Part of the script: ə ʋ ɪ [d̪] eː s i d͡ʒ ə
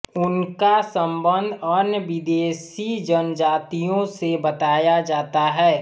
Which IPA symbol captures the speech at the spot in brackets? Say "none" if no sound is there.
d̪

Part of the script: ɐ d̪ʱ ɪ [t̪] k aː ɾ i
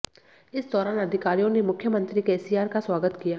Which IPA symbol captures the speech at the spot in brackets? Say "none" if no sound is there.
none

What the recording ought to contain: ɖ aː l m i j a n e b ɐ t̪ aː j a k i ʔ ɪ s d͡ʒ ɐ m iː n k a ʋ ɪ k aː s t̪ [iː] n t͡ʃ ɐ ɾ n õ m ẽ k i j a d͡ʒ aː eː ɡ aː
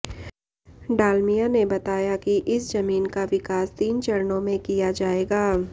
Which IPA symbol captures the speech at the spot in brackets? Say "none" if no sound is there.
iː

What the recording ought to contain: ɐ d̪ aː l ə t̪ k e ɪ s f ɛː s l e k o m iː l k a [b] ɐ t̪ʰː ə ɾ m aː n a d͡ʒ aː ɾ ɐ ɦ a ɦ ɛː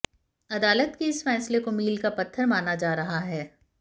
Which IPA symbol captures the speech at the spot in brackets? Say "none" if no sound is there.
p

